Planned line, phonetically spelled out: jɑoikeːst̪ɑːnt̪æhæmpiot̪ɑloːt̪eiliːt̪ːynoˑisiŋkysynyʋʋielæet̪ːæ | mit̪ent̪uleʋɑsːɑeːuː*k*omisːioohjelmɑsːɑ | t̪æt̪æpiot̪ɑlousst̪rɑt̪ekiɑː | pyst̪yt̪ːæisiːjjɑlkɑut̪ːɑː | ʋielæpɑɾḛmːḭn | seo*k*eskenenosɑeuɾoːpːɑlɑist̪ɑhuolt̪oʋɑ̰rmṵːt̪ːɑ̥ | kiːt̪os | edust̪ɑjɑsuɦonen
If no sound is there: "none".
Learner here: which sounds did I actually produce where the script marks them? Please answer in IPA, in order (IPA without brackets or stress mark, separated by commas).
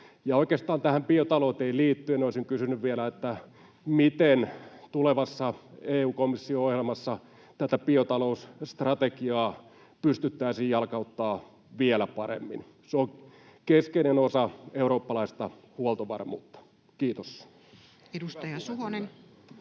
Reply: k, k